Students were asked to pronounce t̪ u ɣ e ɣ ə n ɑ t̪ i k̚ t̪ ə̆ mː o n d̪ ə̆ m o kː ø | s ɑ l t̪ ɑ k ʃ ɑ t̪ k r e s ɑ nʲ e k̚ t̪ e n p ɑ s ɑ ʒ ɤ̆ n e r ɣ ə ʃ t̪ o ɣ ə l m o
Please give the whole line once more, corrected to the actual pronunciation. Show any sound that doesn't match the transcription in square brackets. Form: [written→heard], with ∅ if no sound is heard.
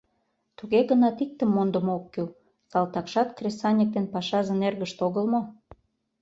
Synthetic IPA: t̪ u ɣ e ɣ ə n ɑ t̪ i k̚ t̪ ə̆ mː o n d̪ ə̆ m o kː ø | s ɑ l t̪ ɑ k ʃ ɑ t̪ k r e s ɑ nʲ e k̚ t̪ e n p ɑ [s→ʃ] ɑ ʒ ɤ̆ n e r ɣ ə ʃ t̪ o ɣ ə l m o